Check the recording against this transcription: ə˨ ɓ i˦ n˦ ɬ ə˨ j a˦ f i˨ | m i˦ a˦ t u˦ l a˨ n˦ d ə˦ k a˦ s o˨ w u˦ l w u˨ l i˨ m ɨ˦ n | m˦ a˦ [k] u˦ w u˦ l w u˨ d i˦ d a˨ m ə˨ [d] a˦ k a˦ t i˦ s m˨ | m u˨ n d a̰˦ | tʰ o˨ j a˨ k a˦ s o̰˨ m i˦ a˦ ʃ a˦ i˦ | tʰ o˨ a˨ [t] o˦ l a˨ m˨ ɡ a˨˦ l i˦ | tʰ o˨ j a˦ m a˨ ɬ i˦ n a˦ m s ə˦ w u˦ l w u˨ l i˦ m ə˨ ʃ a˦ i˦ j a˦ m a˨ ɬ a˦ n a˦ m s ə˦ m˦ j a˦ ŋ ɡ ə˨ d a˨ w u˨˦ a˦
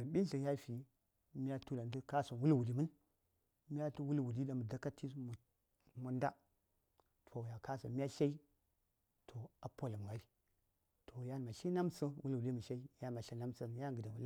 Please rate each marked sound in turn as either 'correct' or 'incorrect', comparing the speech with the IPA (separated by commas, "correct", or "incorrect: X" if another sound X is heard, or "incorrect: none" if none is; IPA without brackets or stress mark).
incorrect: t, correct, incorrect: p